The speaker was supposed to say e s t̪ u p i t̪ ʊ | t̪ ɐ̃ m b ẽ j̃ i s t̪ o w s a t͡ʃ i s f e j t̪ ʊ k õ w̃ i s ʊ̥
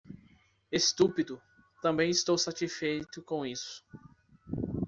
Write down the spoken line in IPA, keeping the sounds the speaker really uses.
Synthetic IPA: e s t̪ u p i d̪ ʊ | t̪ ɐ̃ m b ẽ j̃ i s t̪ o w s a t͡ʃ i s f e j t̪ ʊ k õ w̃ i s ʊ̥